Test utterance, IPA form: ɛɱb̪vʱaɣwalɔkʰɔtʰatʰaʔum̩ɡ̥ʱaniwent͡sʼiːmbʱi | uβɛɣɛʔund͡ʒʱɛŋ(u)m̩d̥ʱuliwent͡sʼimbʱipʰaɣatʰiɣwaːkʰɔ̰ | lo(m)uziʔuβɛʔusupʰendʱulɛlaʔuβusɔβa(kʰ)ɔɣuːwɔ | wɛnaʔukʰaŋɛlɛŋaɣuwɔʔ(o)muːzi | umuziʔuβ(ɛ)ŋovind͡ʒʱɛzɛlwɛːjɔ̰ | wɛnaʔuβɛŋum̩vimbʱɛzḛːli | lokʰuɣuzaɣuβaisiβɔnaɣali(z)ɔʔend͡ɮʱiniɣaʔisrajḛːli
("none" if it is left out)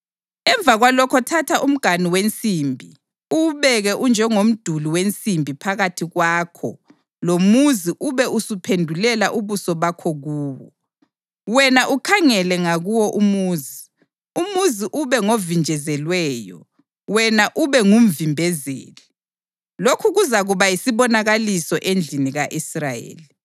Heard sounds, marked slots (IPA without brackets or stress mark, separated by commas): o, m, kʰ, u, ɛ, s